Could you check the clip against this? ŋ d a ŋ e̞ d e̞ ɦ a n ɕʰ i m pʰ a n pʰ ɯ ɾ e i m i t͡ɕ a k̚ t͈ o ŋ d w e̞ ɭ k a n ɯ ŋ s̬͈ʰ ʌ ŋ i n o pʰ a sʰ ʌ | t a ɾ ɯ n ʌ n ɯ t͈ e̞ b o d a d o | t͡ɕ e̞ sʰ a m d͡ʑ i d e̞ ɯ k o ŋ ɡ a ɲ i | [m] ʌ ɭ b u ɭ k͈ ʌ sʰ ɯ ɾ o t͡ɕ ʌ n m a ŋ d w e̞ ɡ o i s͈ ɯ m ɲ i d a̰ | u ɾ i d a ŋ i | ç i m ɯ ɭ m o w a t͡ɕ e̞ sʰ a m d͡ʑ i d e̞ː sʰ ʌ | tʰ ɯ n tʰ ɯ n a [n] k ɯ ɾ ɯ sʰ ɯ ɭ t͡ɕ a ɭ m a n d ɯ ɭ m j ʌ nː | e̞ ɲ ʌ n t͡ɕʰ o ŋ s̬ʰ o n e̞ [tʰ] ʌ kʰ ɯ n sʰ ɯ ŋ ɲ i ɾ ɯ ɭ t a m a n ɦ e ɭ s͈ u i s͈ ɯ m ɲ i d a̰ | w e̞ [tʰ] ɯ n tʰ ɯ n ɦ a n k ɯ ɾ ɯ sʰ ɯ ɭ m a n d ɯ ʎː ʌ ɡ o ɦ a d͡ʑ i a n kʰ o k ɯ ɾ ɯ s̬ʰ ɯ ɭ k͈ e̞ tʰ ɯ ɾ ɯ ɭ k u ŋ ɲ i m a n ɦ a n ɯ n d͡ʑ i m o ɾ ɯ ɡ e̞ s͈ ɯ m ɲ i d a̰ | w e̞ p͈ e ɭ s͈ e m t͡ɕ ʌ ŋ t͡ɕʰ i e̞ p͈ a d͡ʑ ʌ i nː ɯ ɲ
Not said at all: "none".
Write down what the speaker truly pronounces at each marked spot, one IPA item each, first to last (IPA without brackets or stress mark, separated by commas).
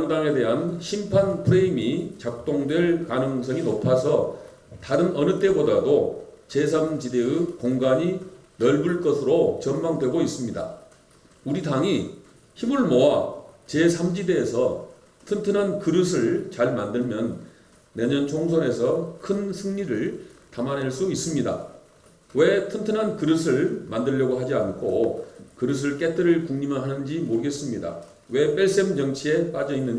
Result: n, n, sʰ, tʰ